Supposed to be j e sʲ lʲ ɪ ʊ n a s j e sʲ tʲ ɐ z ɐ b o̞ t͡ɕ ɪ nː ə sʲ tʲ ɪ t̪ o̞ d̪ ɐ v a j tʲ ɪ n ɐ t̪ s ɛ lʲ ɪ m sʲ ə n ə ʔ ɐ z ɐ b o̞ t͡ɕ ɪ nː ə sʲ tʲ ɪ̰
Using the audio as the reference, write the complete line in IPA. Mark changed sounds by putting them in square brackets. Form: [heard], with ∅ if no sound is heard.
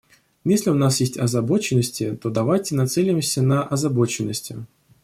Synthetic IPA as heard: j e sʲ lʲ ɪ ʊ n a s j e sʲ tʲ ɐ z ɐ b o̞ t͡ɕ ɪ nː ə sʲ tʲ ɪ t̪ o̞ d̪ ɐ v a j tʲ ɪ n ɐ t̪ s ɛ lʲ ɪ m sʲ ə n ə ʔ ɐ z ɐ b o̞ t͡ɕ ɪ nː ə sʲ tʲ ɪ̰

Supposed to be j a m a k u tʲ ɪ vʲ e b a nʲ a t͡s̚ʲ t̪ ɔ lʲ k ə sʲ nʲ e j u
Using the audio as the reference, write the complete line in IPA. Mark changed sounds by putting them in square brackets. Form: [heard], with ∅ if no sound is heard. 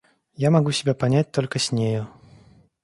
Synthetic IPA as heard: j a m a [ɡ] u [sʲ] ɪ [bʲ] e [p] a nʲ a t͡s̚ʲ t̪ ɔ lʲ k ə sʲ nʲ e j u

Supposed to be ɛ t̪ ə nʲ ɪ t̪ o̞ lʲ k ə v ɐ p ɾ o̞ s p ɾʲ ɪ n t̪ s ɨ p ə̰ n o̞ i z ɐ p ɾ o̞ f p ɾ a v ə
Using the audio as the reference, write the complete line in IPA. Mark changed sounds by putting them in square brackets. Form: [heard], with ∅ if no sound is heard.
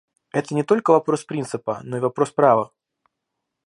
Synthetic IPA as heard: ɛ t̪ ə nʲ ɪ t̪ o̞ lʲ k ə v ɐ p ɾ o̞ s p ɾʲ [i] n t̪ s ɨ p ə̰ n o̞ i [v] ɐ p ɾ o̞ [s] p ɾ a v ə

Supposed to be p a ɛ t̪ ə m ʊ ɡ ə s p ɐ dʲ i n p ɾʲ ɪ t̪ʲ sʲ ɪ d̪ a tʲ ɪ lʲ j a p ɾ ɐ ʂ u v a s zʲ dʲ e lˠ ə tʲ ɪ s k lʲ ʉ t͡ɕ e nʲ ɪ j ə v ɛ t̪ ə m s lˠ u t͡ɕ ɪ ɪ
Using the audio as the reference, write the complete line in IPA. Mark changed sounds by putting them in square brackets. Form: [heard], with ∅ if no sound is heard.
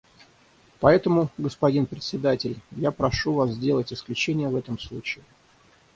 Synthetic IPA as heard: p [ɐ] ɛ t̪ ə m ʊ ɡ ə s p ɐ dʲ i n p ɾʲ ɪ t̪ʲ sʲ ɪ d̪ a tʲ ɪ lʲ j a p ɾ ɐ ʂ u v a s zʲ dʲ e lˠ ə tʲ ɪ s k lʲ ʉ t͡ɕ e nʲ ɪ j ə v ɛ t̪ ə m s lˠ u t͡ɕ ɪ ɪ

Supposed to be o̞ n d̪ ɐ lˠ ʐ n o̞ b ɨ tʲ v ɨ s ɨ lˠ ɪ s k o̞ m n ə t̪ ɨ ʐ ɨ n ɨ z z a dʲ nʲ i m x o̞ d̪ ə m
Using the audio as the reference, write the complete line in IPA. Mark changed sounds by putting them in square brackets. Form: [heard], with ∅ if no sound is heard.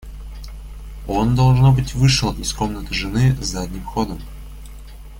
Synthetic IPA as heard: o̞ n d̪ ɐ lˠ ʐ n o̞ b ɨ tʲ v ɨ [ʂ] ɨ lˠ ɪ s k o̞ m n ə t̪ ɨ ʐ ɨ n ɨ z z a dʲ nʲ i m x o̞ d̪ ə m

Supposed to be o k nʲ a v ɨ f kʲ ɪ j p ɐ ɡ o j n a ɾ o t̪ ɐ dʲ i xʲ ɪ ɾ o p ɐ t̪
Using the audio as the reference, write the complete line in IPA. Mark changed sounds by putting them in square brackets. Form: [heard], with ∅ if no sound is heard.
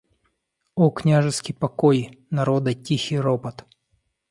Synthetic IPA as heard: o k nʲ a [ʐ] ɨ [s] kʲ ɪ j p ɐ [k] o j n [ɐ] ɾ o [d̪] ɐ [tʲ] i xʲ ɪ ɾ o p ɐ t̪

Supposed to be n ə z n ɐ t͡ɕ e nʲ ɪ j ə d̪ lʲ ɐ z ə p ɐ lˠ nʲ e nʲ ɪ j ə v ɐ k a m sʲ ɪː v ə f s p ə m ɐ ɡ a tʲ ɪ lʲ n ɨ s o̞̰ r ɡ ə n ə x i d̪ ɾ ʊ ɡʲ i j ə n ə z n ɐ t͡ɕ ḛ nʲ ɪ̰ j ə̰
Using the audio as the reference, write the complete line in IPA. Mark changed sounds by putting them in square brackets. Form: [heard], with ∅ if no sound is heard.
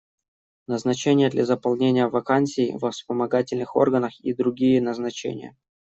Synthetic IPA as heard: n ə z n ɐ t͡ɕ e nʲ ɪ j ə d̪ lʲ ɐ z ə p ɐ lˠ nʲ e nʲ ɪ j ə v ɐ k a [n] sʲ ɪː v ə f s p ə m ɐ ɡ a tʲ ɪ lʲ n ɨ [x] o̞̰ r ɡ ə n ə x i d̪ ɾ ʊ ɡʲ i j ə n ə z n ɐ t͡ɕ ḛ nʲ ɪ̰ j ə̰

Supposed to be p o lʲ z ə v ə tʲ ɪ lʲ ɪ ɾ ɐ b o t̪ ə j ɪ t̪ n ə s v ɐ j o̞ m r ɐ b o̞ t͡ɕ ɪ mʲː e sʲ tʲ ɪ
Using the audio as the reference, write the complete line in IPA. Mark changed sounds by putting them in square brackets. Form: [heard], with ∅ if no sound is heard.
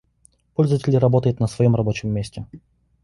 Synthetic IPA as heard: p o lʲ z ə v ə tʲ ɪ lʲ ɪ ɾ ɐ b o t̪ ə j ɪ t̪ n ə s v ɐ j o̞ m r ɐ b o̞ t͡ɕ ɪ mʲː e sʲ tʲ ɪ

